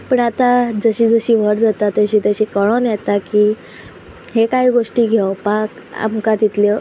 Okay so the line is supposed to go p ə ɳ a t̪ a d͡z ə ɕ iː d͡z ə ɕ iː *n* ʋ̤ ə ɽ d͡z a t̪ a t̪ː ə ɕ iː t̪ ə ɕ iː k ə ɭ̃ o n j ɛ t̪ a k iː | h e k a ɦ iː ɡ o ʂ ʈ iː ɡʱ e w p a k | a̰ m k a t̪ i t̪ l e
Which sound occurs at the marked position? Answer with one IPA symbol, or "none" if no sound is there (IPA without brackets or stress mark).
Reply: none